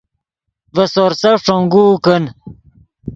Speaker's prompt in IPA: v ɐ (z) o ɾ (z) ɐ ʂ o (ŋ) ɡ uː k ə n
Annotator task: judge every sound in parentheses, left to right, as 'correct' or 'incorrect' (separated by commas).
incorrect, incorrect, correct